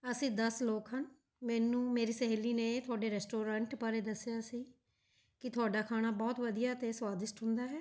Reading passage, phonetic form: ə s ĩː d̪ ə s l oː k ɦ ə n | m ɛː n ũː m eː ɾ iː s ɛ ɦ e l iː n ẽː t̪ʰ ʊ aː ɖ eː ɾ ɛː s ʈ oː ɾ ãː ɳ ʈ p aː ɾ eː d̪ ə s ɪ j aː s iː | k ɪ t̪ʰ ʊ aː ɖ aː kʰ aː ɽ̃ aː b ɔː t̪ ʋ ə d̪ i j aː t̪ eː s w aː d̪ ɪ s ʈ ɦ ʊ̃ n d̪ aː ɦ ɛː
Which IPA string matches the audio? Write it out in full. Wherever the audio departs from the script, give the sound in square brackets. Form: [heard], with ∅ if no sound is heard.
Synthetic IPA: ə s ĩː d̪ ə s l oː k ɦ ə n | m ɛː n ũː m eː ɾ iː s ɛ ɦ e l iː n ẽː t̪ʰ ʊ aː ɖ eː ɾ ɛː s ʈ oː ɾ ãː ɳ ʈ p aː ɾ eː d̪ ə s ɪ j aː s iː | k ɪ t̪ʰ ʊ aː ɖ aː kʰ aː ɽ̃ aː b ɔː t̪ ʋ ə d̪ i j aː t̪ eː s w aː d̪ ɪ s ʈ ɦ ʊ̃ n d̪ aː ɦ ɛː